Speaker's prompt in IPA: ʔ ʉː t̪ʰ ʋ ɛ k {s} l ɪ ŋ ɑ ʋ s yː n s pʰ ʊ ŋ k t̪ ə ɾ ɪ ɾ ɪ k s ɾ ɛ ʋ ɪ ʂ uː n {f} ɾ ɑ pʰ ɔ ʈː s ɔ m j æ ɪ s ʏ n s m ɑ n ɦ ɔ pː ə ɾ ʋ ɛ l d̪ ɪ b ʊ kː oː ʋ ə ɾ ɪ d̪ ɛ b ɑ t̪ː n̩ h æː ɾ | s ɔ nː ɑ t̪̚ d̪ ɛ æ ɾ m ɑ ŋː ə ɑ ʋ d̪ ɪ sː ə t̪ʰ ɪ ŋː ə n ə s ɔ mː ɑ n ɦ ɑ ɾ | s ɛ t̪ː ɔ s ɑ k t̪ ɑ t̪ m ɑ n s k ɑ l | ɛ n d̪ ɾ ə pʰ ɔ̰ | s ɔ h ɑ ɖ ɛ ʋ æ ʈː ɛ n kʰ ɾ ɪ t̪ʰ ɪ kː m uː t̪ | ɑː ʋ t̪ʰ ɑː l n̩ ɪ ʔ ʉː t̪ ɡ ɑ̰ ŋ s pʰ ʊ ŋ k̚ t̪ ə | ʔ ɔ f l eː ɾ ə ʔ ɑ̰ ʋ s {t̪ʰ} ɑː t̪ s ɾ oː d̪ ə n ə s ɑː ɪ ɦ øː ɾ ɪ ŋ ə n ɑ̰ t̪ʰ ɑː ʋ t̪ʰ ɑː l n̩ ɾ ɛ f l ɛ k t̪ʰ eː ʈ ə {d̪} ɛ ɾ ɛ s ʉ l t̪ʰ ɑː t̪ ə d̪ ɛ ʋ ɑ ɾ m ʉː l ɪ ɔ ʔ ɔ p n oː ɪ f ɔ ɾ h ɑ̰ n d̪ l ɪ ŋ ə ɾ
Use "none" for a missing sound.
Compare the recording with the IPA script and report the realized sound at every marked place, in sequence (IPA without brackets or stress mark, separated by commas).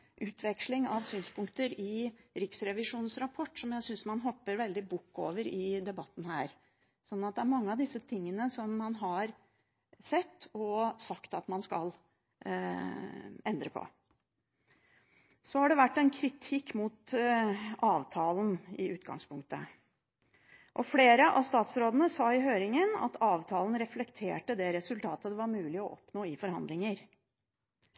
ʂ, s, t̪, d̪